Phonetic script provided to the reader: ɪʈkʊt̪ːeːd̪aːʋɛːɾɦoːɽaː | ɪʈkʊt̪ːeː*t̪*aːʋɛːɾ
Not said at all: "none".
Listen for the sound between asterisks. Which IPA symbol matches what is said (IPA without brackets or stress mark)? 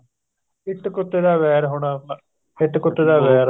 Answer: d̪